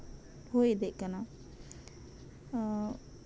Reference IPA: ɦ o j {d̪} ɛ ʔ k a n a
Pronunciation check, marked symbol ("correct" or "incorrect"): correct